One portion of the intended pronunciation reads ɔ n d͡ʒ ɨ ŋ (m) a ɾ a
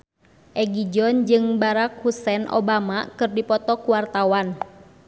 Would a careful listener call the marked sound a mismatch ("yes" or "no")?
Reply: yes